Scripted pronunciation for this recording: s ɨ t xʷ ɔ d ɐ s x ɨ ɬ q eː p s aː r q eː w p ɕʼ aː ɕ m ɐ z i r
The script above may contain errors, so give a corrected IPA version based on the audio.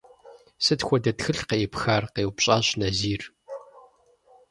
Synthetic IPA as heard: s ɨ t xʷ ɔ d ɐ t x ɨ ɬ q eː p x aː r q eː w p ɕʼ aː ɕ n ɐ z iː r